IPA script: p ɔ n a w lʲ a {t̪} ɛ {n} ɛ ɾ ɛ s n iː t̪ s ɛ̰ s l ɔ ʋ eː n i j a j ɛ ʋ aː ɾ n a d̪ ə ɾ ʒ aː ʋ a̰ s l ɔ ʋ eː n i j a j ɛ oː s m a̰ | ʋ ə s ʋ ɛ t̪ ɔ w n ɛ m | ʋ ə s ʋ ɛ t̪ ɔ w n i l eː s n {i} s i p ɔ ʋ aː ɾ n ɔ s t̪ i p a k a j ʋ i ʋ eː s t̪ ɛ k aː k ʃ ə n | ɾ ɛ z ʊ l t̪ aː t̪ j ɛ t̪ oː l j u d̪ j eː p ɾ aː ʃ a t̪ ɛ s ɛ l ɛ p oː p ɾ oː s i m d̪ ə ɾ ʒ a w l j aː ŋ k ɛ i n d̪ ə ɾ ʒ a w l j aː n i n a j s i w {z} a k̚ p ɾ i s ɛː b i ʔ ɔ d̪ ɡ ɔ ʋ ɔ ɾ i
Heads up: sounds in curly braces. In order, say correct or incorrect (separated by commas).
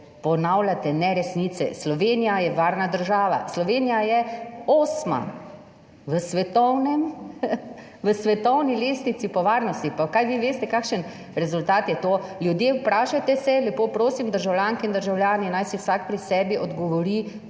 correct, correct, correct, incorrect